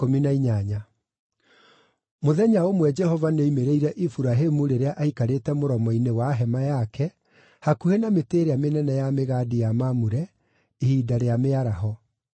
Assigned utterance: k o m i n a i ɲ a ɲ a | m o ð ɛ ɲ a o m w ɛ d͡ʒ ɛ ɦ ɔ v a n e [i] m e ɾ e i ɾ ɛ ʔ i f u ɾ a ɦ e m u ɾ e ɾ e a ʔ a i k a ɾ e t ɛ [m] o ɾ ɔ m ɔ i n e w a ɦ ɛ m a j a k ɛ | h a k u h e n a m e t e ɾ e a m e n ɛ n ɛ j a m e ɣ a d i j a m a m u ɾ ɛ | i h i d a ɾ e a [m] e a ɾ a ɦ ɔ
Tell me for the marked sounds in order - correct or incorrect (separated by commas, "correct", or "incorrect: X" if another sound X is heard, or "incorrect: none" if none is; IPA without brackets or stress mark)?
correct, correct, correct